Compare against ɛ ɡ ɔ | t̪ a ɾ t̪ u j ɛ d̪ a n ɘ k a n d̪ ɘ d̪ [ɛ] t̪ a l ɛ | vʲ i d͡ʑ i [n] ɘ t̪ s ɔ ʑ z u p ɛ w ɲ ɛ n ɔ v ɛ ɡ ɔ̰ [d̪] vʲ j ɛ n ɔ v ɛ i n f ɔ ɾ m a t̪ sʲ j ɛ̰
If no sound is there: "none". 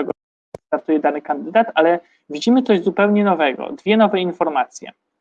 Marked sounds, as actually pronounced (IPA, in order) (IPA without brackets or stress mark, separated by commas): a, m, d̪